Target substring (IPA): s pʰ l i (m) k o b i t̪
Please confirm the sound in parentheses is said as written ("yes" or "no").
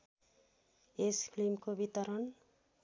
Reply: yes